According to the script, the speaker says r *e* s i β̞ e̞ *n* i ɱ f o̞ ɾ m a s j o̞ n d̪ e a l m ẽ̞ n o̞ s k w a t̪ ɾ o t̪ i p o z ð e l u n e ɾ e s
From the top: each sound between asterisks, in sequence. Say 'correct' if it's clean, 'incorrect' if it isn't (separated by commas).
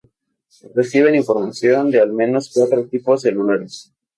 correct, correct